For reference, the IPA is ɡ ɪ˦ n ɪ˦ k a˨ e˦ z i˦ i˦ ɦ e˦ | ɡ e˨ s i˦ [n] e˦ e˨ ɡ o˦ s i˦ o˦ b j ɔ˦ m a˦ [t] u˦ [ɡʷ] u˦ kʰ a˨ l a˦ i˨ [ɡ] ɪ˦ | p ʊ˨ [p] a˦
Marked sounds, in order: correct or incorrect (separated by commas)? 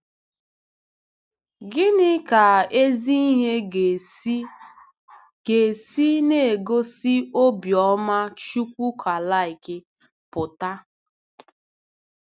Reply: correct, incorrect, incorrect, incorrect, incorrect